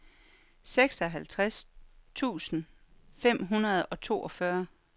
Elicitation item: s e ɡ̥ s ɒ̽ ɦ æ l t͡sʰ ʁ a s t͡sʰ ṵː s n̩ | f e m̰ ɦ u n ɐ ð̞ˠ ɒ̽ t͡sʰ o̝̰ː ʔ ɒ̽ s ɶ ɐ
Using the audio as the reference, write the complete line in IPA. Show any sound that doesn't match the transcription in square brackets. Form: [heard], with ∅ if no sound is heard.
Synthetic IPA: s e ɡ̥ s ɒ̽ ɦ æ l t͡sʰ ʁ a s t͡sʰ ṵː s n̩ | f e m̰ ɦ u n ɐ ð̞ˠ ɒ̽ t͡sʰ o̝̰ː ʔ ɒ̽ [f] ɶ ɐ